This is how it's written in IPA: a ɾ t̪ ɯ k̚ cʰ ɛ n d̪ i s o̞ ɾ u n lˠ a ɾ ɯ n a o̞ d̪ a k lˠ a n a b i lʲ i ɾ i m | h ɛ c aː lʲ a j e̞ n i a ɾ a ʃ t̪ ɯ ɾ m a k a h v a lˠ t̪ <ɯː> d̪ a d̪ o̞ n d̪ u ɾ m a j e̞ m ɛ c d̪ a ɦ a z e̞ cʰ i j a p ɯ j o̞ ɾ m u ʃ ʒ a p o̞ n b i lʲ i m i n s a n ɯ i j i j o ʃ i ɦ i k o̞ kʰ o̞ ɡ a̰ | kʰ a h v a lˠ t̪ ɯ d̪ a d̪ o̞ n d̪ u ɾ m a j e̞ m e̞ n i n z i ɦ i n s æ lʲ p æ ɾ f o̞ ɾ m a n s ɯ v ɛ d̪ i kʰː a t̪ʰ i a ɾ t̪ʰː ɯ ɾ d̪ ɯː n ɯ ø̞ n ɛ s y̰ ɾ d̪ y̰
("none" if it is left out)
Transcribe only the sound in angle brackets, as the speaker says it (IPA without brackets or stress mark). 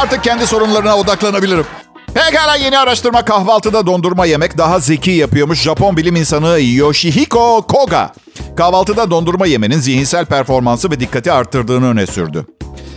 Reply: ɯ